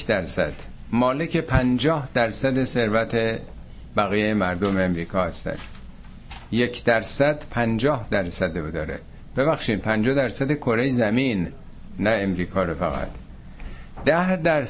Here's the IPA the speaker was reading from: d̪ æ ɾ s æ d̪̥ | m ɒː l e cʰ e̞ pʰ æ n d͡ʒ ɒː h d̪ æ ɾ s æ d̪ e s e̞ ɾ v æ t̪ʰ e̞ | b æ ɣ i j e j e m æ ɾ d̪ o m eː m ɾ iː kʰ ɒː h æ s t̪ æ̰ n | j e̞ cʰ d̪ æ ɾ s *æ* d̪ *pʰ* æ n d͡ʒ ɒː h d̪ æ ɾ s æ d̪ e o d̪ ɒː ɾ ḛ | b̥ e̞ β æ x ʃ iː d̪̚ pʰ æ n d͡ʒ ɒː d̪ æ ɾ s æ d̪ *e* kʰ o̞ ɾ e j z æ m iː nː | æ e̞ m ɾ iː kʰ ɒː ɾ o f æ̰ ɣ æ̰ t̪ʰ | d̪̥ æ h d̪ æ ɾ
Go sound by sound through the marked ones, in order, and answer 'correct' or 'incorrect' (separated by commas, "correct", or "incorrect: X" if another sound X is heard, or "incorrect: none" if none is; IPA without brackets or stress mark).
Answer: correct, correct, correct